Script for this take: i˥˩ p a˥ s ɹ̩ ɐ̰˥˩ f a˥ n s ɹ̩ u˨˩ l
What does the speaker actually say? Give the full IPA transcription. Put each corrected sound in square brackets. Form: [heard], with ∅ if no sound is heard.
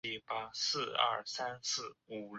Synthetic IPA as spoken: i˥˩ p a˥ s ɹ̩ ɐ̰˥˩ [s] a˥ n s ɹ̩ u˨˩ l